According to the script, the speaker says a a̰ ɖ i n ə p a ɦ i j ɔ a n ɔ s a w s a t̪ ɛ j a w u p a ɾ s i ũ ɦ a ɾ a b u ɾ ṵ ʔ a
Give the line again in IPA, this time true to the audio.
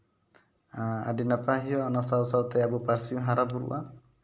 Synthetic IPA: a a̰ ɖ i n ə p a ɦ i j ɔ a n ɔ s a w s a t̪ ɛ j a b u p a ɾ s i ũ ɦ a ɾ a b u ɾ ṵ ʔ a